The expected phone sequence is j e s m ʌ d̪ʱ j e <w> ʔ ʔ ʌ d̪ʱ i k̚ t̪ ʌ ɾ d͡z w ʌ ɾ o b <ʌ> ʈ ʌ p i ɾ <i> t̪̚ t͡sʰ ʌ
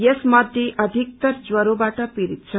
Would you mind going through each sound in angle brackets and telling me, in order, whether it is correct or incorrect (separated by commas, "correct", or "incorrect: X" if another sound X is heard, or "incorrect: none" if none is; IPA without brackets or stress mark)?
incorrect: none, incorrect: a, correct